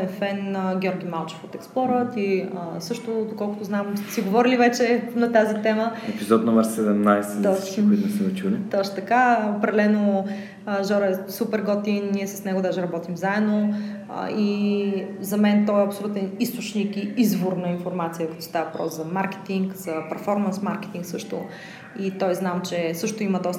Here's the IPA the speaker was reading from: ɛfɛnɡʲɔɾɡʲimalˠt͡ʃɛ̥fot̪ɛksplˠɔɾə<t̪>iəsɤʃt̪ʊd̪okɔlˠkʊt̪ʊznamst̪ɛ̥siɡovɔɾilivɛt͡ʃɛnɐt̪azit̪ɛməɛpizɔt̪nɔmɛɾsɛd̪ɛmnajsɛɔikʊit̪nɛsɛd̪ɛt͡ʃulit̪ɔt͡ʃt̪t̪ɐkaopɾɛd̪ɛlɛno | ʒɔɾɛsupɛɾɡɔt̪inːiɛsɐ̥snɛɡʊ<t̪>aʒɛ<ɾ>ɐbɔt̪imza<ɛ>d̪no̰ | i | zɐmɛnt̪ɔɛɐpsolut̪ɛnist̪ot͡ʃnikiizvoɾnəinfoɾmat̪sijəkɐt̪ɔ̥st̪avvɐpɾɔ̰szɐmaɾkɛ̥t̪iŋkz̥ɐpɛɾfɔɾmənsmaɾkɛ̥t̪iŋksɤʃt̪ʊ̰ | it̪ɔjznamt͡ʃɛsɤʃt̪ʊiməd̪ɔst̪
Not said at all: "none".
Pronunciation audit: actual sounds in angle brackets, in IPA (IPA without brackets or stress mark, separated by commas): t̪, d̪, ɾ, ɛ